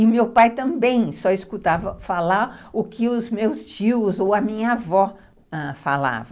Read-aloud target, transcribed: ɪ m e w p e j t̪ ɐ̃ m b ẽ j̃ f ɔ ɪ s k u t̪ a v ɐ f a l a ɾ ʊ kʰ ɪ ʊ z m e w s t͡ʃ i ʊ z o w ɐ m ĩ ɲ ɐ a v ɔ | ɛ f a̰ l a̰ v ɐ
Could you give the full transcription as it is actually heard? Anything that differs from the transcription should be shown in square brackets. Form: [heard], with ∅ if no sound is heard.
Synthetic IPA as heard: ɪ m e w p [a] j t̪ ɐ̃ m b ẽ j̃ [s] ɔ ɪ s k u t̪ a v ɐ f a l a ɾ ʊ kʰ ɪ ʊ z m e w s t͡ʃ i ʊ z o w ɐ m ĩ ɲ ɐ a v ɔ | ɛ f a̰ l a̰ v ɐ